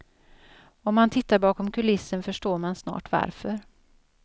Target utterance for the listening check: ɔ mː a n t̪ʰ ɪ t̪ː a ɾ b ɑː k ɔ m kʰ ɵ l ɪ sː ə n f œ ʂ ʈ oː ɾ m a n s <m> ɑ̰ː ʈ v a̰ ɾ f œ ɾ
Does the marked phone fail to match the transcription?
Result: yes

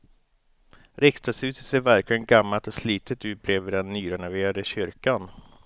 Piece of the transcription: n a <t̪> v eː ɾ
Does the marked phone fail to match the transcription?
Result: yes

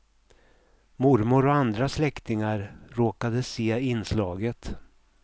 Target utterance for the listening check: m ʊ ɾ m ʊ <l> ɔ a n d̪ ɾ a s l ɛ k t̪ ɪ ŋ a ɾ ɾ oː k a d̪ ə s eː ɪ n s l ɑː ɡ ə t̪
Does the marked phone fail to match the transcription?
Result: yes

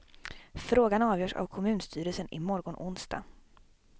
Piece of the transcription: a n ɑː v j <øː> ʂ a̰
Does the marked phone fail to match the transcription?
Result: yes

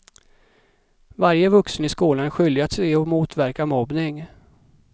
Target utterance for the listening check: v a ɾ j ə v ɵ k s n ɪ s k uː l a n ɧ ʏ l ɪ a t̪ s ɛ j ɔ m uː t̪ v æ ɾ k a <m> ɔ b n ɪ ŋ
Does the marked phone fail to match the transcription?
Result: no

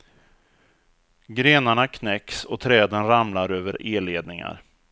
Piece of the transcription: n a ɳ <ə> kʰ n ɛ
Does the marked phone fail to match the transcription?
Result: yes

